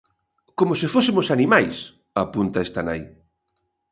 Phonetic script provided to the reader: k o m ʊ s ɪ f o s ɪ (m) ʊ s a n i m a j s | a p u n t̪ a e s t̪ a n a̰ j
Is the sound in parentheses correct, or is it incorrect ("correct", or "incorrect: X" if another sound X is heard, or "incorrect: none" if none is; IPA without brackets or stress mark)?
correct